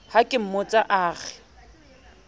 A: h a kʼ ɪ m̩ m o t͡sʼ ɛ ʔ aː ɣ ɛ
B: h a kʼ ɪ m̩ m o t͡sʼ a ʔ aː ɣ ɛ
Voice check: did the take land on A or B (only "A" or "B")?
B